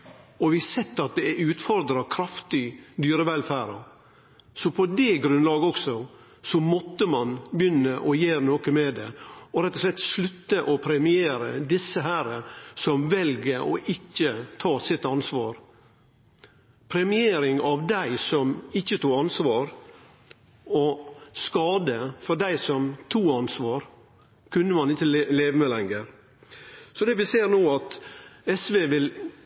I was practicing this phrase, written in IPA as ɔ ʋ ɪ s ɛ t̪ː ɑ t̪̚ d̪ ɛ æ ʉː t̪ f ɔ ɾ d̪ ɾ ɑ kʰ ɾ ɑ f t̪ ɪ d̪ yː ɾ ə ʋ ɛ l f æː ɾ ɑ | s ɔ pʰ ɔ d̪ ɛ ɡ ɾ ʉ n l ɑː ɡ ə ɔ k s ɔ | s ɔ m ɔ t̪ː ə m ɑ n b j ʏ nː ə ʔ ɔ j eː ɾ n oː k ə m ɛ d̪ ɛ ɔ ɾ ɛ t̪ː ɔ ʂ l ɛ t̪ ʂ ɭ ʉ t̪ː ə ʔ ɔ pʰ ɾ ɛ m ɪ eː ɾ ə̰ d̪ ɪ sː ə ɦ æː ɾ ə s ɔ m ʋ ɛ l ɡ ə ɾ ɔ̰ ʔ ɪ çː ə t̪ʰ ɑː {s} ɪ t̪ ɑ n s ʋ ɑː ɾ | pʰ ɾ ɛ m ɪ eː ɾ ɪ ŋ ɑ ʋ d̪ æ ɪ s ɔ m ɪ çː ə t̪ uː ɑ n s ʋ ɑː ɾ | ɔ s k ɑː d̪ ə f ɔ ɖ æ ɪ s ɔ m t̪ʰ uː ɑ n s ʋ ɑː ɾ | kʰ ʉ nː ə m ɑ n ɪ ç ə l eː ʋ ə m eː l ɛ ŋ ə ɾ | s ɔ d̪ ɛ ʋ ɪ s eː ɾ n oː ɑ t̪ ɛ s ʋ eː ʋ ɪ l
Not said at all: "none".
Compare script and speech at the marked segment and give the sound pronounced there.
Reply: s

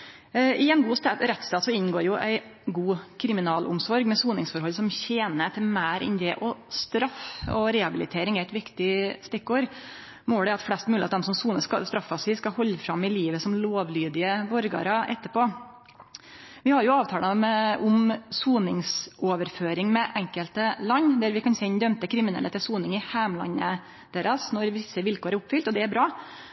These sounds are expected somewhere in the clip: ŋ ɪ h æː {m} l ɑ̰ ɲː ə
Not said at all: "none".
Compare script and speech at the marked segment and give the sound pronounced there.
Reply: m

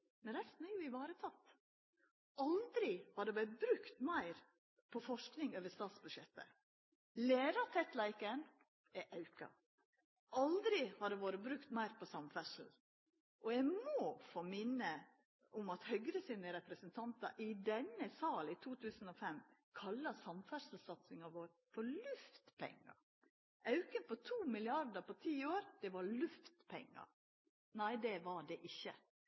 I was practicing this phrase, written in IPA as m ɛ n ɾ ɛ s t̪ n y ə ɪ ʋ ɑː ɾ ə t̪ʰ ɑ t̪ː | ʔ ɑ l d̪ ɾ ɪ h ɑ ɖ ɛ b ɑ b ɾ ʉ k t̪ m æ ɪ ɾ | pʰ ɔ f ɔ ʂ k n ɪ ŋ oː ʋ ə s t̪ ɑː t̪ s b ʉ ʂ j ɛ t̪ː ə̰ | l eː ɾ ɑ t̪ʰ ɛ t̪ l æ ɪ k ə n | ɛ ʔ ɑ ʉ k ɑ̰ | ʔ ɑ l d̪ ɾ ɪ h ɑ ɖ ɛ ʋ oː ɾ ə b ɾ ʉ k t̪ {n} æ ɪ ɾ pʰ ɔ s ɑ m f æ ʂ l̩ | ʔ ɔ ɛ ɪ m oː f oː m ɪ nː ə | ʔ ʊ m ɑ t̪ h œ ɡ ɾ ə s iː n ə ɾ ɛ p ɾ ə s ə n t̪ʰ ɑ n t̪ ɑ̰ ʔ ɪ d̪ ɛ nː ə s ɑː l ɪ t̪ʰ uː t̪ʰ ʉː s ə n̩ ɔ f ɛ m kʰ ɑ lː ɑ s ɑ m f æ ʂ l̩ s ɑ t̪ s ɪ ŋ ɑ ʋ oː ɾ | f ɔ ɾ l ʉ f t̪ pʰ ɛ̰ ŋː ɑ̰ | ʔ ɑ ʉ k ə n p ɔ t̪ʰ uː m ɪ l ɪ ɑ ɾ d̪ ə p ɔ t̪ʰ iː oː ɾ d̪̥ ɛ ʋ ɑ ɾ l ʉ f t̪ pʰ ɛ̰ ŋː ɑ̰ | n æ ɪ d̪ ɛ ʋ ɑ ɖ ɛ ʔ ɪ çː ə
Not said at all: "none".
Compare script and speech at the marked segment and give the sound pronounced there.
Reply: m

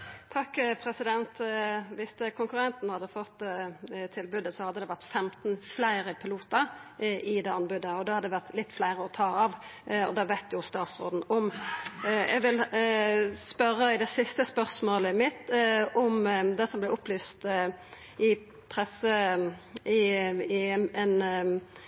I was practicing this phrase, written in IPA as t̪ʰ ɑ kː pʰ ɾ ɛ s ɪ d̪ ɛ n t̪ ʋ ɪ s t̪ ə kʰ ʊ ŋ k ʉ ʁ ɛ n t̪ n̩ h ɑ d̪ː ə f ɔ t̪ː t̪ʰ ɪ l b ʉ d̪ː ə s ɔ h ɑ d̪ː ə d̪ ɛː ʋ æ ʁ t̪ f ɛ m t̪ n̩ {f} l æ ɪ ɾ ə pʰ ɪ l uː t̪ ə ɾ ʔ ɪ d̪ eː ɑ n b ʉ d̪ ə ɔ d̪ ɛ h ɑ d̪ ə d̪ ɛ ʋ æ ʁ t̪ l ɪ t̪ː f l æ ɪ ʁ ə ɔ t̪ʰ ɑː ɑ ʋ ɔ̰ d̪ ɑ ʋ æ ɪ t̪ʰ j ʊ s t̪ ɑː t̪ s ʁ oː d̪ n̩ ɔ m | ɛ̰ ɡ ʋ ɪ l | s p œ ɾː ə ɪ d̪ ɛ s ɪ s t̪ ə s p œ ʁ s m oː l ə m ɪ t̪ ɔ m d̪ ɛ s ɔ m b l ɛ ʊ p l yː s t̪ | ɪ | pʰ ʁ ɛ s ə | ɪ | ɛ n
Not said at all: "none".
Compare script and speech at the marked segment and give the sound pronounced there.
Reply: f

